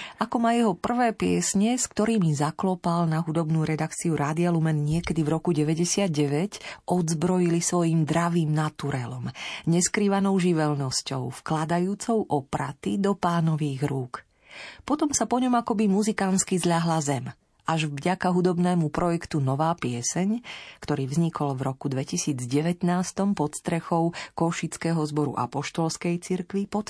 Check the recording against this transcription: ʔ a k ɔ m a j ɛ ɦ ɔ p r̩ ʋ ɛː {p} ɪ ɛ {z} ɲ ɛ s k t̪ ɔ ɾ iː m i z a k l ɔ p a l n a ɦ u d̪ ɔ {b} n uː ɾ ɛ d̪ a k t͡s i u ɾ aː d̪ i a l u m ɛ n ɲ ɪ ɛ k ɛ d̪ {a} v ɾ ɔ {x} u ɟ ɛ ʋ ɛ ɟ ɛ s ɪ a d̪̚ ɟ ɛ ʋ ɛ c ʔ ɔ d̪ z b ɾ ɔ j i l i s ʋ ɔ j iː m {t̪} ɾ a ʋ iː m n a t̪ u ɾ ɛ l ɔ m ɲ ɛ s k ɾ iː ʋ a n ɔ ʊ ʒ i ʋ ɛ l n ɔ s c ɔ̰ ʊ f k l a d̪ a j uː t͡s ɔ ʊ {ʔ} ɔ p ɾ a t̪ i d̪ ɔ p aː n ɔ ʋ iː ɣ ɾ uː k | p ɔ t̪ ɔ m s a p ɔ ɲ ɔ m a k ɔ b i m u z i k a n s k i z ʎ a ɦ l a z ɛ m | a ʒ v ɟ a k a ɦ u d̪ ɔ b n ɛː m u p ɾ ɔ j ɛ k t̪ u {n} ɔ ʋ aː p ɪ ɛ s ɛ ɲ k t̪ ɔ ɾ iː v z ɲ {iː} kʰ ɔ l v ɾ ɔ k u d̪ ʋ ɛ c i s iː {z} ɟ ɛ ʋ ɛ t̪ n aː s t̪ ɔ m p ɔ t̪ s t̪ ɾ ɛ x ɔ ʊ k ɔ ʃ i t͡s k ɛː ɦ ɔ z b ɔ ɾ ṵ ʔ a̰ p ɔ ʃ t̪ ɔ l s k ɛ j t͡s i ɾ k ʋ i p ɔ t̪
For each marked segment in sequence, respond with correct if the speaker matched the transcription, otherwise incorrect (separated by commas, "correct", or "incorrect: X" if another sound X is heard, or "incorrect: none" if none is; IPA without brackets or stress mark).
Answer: correct, incorrect: s, correct, incorrect: i, incorrect: k, incorrect: d̪, correct, correct, incorrect: i, incorrect: d͡z